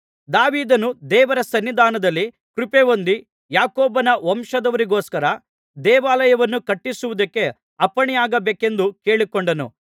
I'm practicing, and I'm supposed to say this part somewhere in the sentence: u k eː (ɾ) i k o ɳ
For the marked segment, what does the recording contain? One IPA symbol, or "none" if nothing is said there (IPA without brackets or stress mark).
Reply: ɭ